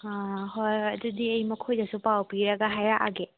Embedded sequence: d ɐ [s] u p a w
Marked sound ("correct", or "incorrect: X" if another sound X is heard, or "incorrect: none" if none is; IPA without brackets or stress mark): correct